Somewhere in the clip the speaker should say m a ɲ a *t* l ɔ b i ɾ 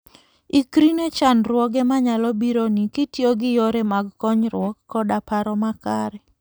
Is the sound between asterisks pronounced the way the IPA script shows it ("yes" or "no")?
no